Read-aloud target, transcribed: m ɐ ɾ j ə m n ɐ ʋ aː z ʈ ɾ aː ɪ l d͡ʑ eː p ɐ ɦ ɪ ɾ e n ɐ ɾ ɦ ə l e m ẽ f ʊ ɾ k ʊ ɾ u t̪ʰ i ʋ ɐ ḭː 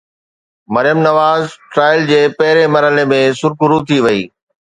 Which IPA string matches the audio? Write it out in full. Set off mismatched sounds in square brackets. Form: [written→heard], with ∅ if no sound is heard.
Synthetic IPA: m ɐ ɾ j ə m n ɐ ʋ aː z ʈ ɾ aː ɪ l d͡ʑ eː p ɐ ɦ ɪ ɾ e [n→m] ɐ ɾ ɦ ə l e m ẽ [f→s] ʊ ɾ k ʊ ɾ u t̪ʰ i ʋ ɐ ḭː